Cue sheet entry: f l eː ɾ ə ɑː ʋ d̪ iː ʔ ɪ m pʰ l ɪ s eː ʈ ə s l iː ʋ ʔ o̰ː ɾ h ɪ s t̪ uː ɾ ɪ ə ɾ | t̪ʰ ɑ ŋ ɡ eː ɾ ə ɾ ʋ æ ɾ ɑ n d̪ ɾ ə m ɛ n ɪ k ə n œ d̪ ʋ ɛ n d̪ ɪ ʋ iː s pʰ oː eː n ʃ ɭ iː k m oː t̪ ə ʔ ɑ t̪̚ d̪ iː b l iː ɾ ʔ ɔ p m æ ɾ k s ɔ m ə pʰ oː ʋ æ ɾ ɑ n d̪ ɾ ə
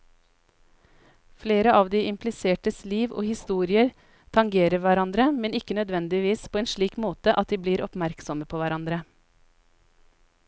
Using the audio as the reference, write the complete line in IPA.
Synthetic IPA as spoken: f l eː ɾ ə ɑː ʋ d̪ iː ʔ ɪ m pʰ l ɪ s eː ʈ ə s l iː ʋ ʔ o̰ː h ɪ s t̪ uː ɾ ɪ ə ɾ | t̪ʰ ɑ ŋ ɡ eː ɾ ə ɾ ʋ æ ɾ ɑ n d̪ ɾ ə m ɛ n ɪ k ə n œ d̪ ʋ ɛ n d̪ ɪ ʋ iː s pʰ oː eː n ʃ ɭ iː k m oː t̪ ə ʔ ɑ t̪̚ d̪ iː b l iː ɾ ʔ ɔ p m æ ɾ k s ɔ m ə pʰ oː ʋ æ ɾ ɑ n d̪ ɾ ə

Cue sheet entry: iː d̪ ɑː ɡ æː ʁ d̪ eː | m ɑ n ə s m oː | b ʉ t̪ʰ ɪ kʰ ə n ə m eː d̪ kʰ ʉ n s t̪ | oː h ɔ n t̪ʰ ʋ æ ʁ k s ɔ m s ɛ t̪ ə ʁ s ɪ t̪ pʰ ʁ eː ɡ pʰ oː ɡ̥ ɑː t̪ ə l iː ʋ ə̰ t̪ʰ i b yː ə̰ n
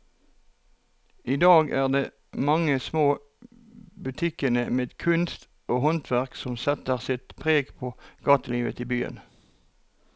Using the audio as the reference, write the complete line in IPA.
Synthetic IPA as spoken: iː d̪ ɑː ɡ æː ʁ d̪ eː | m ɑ ŋ ə s m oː | b ʉ t̪ʰ ɪ k ə n ə m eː d̪ kʰ ʉ n s t̪ | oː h ɔ n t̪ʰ ʋ æ ʁ k s ɔ m s ɛ t̪ ə ʁ s ɪ t̪ pʰ ʁ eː ɡ pʰ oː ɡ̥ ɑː t̪ ə l iː ʋ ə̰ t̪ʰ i b yː ə̰ n

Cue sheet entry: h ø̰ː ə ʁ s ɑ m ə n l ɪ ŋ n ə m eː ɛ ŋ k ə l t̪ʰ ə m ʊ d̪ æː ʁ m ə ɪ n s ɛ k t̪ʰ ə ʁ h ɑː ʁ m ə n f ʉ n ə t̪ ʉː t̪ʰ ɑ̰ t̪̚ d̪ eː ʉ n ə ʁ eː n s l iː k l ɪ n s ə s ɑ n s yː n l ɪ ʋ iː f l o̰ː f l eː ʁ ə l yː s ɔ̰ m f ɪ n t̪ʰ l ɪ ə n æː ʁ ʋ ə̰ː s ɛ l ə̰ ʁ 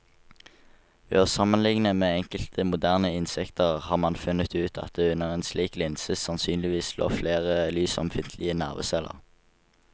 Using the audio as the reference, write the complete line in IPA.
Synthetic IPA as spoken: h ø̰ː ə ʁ s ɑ m ə n l ɪ ŋ n ə m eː ɛ ŋ k ə l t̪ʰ ə m ʊ d̪ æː ʁ n ə ɪ n s ɛ k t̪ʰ ə ʁ h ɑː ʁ m ɑ n f ʉ n ə t̪ ʉː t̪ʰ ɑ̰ t̪̚ d̪ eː ʉ n ə ʁ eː n s l iː k l ɪ n s ə s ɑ n s yː n l ɪ ʋ iː s l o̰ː f l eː ʁ ə l yː s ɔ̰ m f ɪ n t̪ʰ l ɪ ə n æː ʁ ʋ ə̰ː s ɛ l ə̰ ʁ

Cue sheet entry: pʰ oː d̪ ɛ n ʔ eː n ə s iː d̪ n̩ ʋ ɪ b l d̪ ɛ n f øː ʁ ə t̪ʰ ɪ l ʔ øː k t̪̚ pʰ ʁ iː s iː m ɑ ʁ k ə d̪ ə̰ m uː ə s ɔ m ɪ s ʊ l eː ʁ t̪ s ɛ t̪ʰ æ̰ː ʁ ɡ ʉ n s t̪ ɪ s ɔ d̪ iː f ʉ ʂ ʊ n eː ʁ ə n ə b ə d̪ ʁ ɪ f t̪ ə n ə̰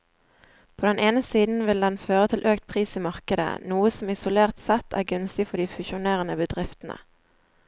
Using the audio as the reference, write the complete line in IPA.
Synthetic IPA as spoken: pʰ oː d̪ ɛ n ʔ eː n ə s iː d̪ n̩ ʋ ɪ l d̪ ɛ n f øː ʁ ə t̪ʰ ɪ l ʔ øː k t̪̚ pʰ ʁ iː s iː m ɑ ʁ k ə d̪ ə̰ n uː ə s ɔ m ɪ s ʊ l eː ʁ t̪ s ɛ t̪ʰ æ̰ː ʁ ɡ ʉ n s t̪ ɪ f ɔ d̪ iː f ʉ ʃ ʊ n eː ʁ ə n ə b ə d̪ ʁ ɪ f t̪ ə n ə̰

